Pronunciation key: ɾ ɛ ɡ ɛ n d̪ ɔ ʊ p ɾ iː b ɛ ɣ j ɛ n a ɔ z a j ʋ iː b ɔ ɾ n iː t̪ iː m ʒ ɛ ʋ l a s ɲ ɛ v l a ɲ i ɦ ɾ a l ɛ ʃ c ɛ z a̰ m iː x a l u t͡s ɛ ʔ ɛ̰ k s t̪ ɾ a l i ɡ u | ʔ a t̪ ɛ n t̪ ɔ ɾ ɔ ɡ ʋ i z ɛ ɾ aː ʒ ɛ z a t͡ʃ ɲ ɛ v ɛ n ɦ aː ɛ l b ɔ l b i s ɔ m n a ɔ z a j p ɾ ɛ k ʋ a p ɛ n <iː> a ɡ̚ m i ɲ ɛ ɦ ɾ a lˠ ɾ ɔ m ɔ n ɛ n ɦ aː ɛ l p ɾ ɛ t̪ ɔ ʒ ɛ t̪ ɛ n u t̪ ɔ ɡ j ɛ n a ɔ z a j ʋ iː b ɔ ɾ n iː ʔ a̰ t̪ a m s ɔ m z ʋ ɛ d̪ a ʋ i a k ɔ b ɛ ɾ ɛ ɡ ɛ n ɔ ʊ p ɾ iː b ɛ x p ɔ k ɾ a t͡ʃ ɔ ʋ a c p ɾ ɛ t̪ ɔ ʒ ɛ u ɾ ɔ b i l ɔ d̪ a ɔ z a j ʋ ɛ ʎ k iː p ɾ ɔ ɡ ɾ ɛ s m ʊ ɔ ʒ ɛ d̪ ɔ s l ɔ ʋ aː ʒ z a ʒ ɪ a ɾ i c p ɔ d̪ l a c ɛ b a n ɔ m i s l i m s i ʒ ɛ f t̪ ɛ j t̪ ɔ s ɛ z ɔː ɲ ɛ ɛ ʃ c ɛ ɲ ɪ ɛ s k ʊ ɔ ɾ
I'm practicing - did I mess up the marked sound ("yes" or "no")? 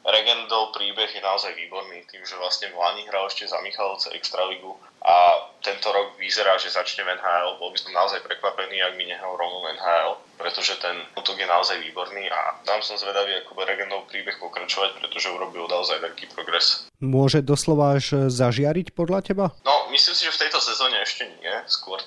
no